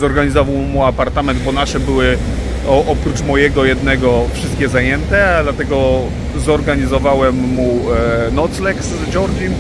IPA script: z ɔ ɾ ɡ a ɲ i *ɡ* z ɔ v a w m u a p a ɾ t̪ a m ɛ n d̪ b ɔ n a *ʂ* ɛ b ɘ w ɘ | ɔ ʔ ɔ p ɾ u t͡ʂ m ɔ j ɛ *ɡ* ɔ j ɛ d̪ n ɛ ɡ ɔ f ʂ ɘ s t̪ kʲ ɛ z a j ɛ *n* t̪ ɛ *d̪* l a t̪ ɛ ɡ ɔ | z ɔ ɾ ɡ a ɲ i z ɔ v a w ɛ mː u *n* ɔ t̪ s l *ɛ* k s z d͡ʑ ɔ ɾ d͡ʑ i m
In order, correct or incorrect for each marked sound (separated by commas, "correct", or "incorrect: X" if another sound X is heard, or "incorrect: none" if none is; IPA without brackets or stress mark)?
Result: incorrect: none, correct, correct, correct, correct, correct, correct